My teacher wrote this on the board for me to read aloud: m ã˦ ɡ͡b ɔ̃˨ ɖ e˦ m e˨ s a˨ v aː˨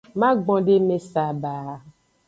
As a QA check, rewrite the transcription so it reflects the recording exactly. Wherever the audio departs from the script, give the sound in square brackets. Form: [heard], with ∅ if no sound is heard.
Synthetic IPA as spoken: m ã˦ ɡ͡b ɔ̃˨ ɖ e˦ m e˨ s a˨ [b] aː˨